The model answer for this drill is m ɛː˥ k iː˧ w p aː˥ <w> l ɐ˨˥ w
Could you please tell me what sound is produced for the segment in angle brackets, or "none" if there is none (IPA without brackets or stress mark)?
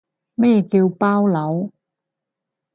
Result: w